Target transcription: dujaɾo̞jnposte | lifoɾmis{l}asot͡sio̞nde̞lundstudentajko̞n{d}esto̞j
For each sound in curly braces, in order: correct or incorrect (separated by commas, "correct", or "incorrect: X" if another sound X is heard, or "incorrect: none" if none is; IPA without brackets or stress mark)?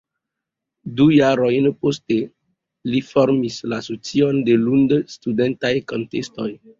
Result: correct, incorrect: t